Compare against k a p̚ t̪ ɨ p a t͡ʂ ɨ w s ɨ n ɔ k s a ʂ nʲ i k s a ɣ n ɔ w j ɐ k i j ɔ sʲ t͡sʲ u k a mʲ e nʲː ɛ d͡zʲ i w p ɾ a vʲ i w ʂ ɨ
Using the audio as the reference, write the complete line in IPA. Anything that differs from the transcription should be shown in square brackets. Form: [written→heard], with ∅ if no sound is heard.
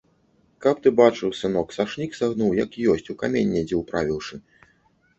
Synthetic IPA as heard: k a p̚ t̪ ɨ [p→b] a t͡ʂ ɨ w s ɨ n ɔ k s a ʂ nʲ i k s a ɣ n [ɔ→u] w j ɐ k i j ɔ sʲ t͡sʲ u k a mʲ e nʲː ɛ d͡zʲ [i→ɛ] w p ɾ a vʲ i w ʂ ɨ